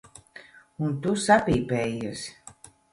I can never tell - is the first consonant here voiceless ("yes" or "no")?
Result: no